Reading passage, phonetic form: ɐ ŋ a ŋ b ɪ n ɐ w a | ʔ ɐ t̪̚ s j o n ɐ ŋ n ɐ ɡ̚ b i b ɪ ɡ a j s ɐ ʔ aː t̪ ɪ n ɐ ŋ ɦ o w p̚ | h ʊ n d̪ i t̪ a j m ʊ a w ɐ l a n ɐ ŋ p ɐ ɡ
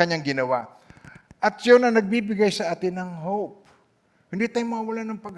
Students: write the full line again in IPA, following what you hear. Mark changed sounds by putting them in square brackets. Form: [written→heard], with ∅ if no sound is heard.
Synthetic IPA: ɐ [ŋ→ɲ] a ŋ [b→ɡ] ɪ n ɐ w a | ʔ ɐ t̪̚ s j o n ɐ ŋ n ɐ ɡ̚ b i b ɪ ɡ a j s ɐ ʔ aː t̪ ɪ n ɐ ŋ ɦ o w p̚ | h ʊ n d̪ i t̪ a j m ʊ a w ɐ l a n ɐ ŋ p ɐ ɡ